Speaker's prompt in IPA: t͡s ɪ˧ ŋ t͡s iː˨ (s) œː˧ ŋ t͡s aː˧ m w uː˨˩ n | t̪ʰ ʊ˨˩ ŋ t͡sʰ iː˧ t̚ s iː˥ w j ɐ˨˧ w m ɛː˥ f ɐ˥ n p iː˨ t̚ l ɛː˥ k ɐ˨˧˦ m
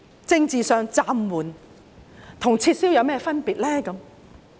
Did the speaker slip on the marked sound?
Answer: no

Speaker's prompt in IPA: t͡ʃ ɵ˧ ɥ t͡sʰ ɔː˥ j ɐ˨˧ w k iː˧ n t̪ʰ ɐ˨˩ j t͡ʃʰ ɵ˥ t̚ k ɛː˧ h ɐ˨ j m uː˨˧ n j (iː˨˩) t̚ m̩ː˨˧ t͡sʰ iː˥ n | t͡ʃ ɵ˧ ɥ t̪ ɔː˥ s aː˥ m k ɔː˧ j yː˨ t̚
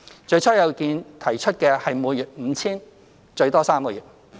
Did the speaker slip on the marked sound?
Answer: yes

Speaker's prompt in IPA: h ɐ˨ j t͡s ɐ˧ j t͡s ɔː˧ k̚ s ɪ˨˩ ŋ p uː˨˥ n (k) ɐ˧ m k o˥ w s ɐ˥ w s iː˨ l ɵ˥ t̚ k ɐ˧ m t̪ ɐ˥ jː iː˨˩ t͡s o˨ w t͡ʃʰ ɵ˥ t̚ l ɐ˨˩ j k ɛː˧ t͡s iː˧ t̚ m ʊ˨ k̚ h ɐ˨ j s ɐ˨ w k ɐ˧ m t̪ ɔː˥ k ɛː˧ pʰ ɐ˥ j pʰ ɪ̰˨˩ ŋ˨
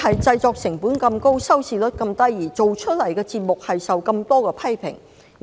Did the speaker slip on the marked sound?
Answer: no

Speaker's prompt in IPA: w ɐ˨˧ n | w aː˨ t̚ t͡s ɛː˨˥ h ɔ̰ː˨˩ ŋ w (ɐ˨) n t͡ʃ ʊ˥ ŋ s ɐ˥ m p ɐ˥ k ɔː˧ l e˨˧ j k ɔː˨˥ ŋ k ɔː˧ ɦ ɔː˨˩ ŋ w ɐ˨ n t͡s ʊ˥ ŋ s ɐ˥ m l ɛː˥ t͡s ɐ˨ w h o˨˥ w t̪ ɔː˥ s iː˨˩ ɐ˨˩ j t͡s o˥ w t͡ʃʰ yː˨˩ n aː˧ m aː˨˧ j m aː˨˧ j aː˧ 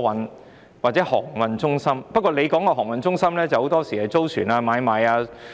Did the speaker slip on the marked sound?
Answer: no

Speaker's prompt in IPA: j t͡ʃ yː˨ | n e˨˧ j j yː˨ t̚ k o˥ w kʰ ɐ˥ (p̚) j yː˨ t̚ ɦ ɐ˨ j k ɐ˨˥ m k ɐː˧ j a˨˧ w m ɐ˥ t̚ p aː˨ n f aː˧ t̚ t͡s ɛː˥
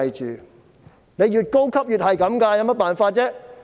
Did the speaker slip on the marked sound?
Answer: no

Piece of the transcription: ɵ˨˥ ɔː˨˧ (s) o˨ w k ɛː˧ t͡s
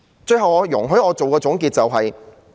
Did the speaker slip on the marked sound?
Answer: yes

